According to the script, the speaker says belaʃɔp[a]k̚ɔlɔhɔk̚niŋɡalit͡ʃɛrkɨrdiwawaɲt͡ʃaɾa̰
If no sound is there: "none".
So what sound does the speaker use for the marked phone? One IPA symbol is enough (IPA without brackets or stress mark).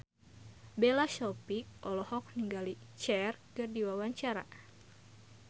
i